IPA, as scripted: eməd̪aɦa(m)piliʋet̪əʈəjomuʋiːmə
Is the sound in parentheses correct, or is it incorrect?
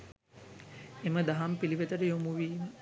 correct